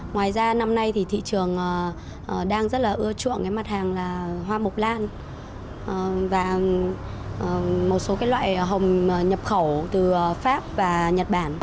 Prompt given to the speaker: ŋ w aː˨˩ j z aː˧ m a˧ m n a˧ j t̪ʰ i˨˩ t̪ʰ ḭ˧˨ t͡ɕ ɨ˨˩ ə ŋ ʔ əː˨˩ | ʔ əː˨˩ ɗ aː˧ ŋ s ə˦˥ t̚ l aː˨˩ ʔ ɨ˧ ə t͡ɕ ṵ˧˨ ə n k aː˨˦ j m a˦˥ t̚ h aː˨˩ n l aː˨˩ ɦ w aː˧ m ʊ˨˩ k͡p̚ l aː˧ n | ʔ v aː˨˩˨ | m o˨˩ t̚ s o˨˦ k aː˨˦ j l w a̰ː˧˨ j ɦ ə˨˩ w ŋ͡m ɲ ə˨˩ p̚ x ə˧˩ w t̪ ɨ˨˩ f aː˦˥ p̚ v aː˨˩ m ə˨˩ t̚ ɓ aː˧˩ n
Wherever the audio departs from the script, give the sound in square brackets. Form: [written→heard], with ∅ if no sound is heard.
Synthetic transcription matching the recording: ŋ w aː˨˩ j z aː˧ [m→n] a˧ m n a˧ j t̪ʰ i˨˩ t̪ʰ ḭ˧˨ t͡ɕ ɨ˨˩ ə ŋ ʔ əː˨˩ | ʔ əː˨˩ ɗ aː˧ ŋ [s→z] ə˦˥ t̚ l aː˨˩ ʔ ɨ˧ ə t͡ɕ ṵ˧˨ ə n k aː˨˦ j m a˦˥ t̚ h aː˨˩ [n→ŋ] l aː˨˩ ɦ w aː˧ m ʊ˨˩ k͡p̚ l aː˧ n | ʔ v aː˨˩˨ | m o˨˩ t̚ s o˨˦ k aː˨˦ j l w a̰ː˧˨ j ɦ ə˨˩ w ŋ͡m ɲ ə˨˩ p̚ x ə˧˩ w t̪ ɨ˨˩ f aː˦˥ p̚ v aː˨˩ [m→ɲ] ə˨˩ t̚ ɓ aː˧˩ n

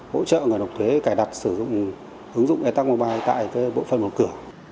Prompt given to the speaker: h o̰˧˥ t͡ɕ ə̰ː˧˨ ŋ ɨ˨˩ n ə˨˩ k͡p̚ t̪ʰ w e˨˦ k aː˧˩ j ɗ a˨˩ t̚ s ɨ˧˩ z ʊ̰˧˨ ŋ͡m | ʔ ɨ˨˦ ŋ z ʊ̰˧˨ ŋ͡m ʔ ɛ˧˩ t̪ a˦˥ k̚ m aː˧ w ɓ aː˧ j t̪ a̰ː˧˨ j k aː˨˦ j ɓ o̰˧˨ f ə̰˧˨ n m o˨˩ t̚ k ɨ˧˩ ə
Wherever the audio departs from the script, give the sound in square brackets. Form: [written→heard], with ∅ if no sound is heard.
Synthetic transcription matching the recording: h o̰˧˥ t͡ɕ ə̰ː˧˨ ŋ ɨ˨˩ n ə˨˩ k͡p̚ t̪ʰ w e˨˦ k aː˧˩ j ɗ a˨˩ t̚ s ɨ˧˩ z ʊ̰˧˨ ŋ͡m | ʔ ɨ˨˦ ŋ z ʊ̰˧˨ ŋ͡m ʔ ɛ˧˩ t̪ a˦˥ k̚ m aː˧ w ɓ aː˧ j t̪ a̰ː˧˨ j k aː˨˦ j ɓ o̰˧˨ f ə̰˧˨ n m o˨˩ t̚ k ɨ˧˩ ə

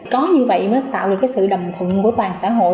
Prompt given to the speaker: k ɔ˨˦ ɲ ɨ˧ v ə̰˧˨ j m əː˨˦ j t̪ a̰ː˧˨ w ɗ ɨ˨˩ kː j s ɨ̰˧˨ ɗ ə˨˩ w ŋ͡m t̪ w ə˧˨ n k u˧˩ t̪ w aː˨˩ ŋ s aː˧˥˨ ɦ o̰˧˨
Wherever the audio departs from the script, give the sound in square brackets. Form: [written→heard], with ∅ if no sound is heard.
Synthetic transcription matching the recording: k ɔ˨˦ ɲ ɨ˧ v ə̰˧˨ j m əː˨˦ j t̪ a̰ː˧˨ w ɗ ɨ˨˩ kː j s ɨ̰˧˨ ɗ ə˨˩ w ŋ͡m [t̪→t̪ʰ] w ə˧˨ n k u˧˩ t̪ w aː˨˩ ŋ s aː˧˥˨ ɦ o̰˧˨

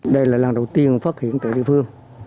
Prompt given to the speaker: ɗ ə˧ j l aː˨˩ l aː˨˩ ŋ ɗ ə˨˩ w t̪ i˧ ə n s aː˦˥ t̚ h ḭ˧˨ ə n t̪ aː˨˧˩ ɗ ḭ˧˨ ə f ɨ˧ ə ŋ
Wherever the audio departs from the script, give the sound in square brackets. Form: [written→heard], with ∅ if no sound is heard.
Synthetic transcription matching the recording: ɗ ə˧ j l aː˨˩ l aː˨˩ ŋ ɗ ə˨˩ w t̪ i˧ ə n [s→f] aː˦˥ t̚ h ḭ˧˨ ə n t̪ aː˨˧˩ ɗ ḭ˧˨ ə f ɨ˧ ə ŋ

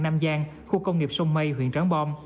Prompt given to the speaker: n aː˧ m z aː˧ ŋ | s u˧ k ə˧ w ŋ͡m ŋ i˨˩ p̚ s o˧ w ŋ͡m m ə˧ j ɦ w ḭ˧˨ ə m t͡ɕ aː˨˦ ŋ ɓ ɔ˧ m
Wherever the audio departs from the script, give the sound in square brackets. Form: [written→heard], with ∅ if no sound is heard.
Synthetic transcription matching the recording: n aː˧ m z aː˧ ŋ | [s→x] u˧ k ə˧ w ŋ͡m ŋ i˨˩ p̚ s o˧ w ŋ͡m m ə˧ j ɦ w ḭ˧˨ ə [m→n] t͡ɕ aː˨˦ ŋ ɓ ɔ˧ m

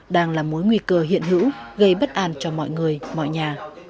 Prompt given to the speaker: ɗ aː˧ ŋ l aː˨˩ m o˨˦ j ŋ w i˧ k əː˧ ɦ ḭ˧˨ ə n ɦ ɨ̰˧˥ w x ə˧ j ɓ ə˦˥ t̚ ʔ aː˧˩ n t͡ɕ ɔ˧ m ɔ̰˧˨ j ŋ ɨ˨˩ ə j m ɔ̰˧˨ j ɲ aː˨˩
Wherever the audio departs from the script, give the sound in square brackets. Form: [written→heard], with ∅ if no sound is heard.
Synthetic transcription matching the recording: ɗ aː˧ ŋ l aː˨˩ m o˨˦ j ŋ w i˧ k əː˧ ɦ ḭ˧˨ ə n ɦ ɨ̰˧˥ w [x→ɣ] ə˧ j ɓ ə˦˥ t̚ ʔ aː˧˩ n t͡ɕ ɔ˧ m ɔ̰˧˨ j ŋ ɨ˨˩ ə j m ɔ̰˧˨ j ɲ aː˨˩

